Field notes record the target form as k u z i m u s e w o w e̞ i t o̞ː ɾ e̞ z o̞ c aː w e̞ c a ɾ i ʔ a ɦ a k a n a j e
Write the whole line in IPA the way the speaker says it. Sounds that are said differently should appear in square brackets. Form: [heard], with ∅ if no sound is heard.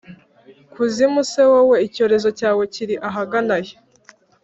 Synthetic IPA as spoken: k u z i m u s e w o w e̞ i [c] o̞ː ɾ e̞ z o̞ c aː w e̞ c [i] ɾ i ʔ a ɦ a [ɡ] a n a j e